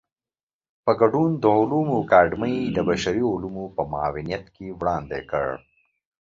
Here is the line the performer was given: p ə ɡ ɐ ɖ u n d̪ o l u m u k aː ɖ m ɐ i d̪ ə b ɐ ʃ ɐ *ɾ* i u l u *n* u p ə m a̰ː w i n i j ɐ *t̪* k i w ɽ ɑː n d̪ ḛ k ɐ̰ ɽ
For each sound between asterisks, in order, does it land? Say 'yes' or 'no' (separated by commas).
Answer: yes, no, yes